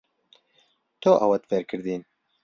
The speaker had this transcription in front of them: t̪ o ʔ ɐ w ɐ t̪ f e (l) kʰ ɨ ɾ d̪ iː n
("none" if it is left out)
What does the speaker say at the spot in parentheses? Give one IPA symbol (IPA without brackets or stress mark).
ɾ